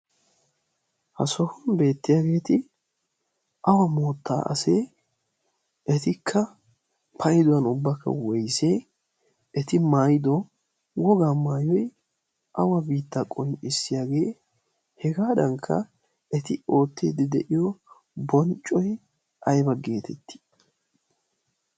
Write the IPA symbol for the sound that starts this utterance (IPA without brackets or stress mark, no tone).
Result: h